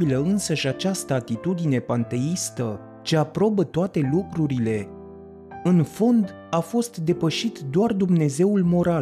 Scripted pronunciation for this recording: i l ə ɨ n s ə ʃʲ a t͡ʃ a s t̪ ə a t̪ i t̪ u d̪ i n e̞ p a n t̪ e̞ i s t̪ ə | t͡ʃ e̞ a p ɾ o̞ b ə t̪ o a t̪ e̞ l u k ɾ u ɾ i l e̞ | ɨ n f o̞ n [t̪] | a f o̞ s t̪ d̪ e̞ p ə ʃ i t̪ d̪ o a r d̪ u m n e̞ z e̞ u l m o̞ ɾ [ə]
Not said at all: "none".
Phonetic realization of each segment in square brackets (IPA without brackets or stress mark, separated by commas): d̪, a